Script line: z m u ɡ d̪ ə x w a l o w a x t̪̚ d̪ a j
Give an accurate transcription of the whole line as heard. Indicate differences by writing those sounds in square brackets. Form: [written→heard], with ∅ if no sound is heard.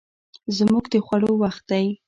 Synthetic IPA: z m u ɡ d̪ ə x w a [l→ɽ] o w a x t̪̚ d̪ a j